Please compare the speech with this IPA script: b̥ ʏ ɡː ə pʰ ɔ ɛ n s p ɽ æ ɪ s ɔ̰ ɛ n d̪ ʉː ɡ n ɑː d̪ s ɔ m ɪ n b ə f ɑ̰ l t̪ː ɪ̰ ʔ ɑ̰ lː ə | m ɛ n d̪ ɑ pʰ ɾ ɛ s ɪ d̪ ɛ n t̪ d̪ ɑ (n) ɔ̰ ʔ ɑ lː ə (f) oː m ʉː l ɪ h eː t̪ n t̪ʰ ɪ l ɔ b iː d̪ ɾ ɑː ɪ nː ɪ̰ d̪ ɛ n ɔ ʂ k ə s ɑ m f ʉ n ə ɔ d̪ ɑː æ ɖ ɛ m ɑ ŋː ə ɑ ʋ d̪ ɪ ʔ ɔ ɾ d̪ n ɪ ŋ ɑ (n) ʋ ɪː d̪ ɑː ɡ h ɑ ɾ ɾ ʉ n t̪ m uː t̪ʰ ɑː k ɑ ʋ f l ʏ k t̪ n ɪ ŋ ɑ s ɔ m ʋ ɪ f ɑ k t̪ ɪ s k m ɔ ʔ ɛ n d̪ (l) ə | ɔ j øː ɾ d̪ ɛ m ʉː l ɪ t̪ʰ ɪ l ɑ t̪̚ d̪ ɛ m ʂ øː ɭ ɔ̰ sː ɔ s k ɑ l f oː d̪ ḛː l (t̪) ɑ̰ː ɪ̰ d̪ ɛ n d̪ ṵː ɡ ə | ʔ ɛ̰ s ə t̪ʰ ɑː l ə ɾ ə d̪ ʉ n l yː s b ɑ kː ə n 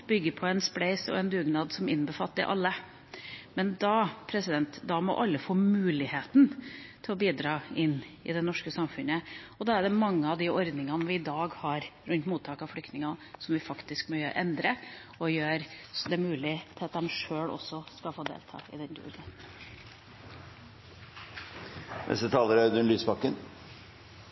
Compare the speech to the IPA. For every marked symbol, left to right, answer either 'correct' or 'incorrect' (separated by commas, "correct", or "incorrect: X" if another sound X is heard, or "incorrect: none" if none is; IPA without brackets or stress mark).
incorrect: m, correct, correct, incorrect: ɾ, incorrect: t̪ʰ